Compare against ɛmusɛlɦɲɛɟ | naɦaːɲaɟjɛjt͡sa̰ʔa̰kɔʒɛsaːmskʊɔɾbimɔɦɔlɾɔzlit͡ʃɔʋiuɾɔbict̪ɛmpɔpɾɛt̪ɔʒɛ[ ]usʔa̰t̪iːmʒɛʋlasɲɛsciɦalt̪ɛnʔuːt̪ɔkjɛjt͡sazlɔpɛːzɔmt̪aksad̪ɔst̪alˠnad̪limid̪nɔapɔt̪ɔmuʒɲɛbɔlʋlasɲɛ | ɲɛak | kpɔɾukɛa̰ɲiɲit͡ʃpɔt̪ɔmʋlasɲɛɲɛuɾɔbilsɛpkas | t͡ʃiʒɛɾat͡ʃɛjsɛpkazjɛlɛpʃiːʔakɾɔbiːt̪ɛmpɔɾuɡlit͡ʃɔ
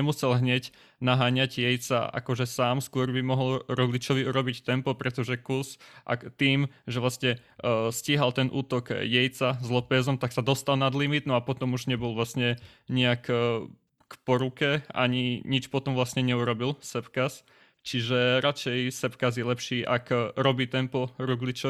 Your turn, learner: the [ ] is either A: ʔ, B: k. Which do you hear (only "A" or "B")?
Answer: B